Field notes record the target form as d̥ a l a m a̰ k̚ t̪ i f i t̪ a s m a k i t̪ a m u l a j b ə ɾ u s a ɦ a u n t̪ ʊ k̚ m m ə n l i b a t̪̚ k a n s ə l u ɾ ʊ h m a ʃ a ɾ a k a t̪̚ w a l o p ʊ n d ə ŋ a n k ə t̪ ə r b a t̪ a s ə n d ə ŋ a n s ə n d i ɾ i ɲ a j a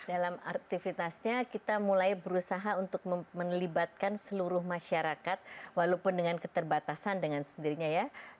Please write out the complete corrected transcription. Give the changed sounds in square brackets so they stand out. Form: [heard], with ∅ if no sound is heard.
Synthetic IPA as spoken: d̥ a l a m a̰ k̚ t̪ i f i t̪ a s [ɲ] a k i t̪ a m u l a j b ə ɾ u s a ɦ a u n t̪ ʊ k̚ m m ə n l i b a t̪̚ k a n s ə l u ɾ ʊ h m a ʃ a ɾ a k a t̪̚ w a l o p ʊ n d ə ŋ a n k ə t̪ ə r b a t̪ a s [a] n d ə ŋ a n s ə n d i ɾ i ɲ a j a